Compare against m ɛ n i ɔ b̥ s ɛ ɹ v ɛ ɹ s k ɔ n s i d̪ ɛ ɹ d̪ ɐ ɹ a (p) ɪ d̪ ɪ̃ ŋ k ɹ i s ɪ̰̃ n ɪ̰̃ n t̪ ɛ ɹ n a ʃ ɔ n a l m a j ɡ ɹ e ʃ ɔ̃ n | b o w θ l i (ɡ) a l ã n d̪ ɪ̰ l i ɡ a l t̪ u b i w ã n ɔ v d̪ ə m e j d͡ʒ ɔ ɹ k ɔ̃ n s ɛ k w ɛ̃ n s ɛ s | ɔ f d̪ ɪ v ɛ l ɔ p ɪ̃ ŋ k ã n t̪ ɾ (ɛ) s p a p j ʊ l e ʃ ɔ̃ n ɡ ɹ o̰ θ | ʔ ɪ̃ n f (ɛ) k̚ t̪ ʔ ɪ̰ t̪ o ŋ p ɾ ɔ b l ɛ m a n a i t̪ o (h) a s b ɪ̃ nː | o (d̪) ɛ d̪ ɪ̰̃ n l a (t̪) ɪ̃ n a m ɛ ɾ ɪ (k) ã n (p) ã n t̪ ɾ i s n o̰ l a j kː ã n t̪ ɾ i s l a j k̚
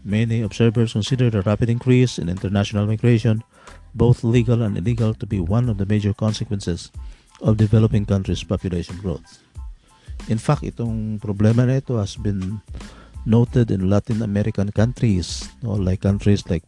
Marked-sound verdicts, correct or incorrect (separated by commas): correct, correct, incorrect, incorrect, correct, incorrect, correct, correct, incorrect